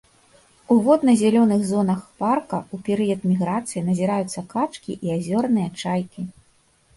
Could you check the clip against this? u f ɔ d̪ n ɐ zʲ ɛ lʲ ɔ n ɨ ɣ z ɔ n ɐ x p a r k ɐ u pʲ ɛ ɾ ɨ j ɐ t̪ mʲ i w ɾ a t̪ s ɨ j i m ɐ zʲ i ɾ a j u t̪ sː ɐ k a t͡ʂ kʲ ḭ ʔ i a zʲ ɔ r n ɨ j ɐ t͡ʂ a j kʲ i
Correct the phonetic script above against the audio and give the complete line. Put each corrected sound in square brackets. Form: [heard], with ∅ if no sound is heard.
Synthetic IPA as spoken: u [v] ɔ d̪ n ɐ zʲ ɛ lʲ ɔ n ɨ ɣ z ɔ n ɐ x p a r k ɐ u pʲ ɛ ɾ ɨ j ɐ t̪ mʲ i [ɣ] ɾ a t̪ s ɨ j i [n] ɐ zʲ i ɾ a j u t̪ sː ɐ k a t͡ʂ kʲ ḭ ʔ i a zʲ ɔ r n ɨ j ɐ t͡ʂ a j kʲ i